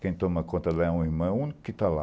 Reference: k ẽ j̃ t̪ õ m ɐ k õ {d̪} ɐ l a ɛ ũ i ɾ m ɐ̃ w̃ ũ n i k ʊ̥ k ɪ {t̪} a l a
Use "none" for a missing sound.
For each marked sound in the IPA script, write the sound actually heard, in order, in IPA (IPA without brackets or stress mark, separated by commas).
t̪, t̪